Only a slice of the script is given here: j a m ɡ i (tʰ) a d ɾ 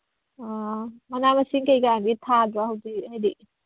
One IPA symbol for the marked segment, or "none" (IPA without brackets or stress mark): tʰ